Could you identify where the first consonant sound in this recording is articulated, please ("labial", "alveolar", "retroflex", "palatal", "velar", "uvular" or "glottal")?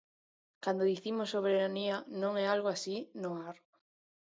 velar